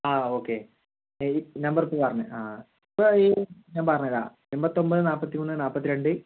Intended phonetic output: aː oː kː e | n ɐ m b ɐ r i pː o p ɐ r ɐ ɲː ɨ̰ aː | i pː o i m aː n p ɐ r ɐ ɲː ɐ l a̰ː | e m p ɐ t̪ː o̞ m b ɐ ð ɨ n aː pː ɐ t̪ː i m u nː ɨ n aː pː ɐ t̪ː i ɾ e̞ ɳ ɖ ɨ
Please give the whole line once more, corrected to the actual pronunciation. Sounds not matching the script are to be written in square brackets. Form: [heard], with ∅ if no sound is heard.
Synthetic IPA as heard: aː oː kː e | n ɐ m b ɐ r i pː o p ɐ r ɐ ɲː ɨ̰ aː | i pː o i [ɲ] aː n p ɐ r ɐ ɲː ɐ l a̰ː | e m [b] ɐ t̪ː o̞ m b ɐ ð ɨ n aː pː ɐ t̪ː i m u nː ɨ n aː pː ɐ t̪ː i ɾ e̞ ɳ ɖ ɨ